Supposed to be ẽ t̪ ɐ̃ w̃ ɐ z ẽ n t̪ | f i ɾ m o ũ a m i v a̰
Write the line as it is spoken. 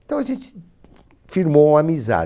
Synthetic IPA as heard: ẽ t̪ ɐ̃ w̃ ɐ ʒ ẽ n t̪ | f i ɾ m o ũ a m i z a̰